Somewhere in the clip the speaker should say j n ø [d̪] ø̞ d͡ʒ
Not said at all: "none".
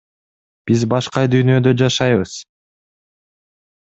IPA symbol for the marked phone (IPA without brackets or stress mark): d̪